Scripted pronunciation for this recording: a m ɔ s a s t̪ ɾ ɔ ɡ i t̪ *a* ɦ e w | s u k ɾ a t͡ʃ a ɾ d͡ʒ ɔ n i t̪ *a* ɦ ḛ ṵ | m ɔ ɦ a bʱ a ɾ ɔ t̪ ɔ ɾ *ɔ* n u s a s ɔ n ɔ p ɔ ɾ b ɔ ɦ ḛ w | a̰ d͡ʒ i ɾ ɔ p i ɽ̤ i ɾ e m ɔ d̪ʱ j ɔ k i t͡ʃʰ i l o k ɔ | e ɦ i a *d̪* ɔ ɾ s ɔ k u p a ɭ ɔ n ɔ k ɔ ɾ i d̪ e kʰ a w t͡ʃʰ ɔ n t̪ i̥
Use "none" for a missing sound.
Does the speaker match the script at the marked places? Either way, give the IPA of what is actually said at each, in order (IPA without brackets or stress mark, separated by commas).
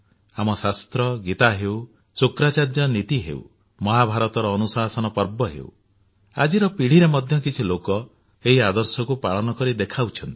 a, i, ɔː, d̪